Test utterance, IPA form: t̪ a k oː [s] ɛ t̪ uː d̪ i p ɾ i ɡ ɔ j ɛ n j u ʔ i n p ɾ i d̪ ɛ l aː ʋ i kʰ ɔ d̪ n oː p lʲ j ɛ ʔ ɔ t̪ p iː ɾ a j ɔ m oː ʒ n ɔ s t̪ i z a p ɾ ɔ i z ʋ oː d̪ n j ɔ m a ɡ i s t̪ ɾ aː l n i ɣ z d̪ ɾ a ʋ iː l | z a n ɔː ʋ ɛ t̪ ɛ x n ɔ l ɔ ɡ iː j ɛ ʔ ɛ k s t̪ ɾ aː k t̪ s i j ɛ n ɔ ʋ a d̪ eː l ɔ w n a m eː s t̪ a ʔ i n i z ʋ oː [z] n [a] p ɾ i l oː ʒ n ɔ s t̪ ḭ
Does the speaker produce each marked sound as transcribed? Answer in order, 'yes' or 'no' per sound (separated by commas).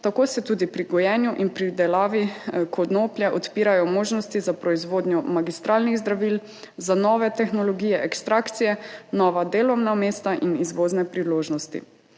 yes, yes, no